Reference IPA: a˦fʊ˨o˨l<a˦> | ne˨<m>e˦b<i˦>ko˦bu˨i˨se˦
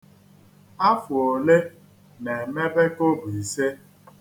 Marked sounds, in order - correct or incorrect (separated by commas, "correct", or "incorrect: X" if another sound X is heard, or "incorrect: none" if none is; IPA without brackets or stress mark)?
incorrect: e˦, correct, incorrect: e˦